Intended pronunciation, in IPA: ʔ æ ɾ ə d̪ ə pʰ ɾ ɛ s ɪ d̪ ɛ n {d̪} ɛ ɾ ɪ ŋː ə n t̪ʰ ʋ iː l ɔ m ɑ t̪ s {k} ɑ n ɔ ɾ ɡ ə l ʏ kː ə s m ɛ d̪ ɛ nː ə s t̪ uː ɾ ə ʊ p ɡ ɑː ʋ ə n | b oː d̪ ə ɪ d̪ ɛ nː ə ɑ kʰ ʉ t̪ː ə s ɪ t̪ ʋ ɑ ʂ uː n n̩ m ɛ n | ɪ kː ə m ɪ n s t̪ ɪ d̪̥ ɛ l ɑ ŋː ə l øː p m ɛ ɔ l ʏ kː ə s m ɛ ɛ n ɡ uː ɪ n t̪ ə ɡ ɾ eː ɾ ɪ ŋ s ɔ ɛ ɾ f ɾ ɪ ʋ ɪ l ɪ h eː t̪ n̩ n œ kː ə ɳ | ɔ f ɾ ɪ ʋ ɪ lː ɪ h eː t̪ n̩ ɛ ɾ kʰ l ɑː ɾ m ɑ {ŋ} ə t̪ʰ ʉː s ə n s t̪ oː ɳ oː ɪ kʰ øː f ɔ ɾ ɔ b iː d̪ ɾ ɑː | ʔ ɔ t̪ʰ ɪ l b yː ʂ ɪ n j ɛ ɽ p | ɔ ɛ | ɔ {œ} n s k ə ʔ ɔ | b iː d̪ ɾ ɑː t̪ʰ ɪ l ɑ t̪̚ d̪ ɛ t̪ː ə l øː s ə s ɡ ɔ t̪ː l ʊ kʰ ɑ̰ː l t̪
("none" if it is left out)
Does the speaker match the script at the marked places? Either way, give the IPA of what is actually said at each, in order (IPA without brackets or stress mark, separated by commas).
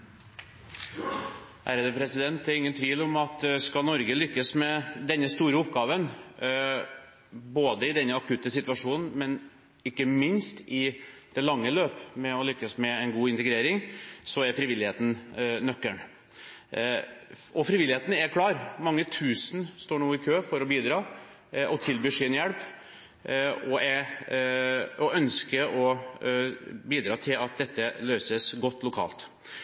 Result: t̪, k, ŋː, œ